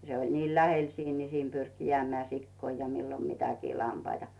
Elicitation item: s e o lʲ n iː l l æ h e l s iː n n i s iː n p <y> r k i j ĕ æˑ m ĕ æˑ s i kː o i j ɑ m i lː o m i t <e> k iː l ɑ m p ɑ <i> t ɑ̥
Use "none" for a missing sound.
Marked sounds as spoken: y, æ, i

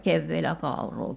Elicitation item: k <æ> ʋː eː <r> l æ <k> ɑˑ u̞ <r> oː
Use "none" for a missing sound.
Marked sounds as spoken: e, none, k, r

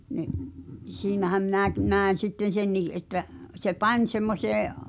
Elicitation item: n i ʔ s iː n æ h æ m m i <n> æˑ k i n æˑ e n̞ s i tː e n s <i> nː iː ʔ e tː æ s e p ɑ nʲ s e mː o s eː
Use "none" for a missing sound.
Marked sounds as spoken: n, e

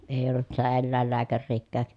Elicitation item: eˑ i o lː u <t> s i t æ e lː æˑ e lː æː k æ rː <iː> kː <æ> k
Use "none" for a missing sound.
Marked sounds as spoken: t, iː, æː

